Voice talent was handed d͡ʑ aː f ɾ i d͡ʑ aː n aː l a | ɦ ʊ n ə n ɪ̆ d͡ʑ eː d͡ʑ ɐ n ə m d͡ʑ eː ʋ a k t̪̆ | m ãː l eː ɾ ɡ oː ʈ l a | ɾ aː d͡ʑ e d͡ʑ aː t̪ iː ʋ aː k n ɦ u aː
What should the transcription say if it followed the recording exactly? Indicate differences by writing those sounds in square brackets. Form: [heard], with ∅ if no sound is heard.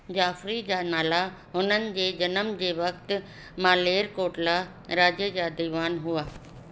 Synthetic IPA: d͡ʑ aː f ɾ i d͡ʑ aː n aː l a | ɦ ʊ n ə n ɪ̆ d͡ʑ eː d͡ʑ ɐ n ə m d͡ʑ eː ʋ [ɐ] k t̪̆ | m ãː l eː ɾ [k] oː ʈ l a | ɾ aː d͡ʑ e d͡ʑ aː [d̪] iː ʋ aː [∅] n ɦ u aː